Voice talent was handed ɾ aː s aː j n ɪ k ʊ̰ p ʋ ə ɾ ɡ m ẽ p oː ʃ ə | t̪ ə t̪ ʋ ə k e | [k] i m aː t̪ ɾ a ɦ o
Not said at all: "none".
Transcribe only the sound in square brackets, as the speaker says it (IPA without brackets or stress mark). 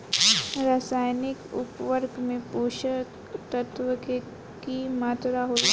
k